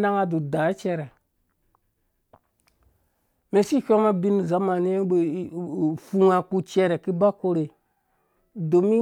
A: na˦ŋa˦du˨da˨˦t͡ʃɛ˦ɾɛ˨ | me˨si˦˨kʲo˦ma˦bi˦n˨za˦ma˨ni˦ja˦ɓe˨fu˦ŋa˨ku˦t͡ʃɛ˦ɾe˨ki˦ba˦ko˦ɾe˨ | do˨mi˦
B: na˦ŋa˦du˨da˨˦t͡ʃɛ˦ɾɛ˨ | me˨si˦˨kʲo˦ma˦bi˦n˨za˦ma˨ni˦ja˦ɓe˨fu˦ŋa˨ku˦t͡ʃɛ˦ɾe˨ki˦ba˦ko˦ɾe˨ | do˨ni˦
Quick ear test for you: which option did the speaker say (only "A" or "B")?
A